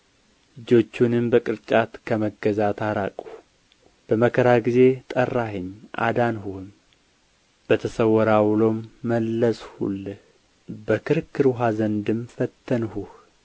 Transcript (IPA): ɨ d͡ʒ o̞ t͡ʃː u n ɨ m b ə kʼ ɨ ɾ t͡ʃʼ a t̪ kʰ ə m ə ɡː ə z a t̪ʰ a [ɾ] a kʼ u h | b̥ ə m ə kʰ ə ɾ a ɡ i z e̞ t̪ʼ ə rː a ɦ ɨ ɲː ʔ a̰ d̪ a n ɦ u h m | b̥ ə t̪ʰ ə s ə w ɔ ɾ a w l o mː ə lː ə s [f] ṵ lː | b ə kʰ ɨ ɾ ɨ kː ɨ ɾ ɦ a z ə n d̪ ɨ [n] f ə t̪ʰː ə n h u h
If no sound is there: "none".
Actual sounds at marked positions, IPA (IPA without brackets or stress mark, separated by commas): ɾ, h, m